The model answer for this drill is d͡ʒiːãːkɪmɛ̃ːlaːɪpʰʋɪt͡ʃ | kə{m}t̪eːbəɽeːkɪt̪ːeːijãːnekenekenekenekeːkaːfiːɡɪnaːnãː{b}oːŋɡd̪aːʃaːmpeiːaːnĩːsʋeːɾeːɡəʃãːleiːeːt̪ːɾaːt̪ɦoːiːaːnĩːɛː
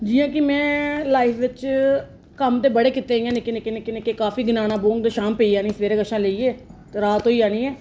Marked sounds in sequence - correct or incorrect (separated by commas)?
correct, correct